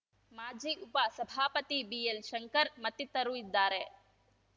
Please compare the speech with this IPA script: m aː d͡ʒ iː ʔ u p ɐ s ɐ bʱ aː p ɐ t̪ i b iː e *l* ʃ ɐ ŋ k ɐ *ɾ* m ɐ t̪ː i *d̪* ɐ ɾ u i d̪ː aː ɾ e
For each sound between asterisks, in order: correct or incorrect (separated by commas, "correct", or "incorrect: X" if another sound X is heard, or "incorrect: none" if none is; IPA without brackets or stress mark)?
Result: correct, correct, incorrect: t̪